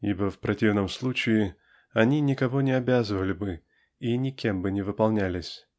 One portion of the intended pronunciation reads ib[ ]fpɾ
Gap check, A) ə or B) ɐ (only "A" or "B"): A